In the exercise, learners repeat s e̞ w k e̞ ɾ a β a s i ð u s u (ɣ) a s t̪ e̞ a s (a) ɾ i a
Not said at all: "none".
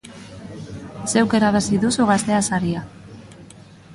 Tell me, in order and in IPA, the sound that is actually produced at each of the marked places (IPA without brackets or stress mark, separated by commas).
ɣ, a